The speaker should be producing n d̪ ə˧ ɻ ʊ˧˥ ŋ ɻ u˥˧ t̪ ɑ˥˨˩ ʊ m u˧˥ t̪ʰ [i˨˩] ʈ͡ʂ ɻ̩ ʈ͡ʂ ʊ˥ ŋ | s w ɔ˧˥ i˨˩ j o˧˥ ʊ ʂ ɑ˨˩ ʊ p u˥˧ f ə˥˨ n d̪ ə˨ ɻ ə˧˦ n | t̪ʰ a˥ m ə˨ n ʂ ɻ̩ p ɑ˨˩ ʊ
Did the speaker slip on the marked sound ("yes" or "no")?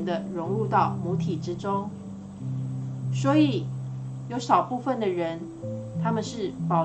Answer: no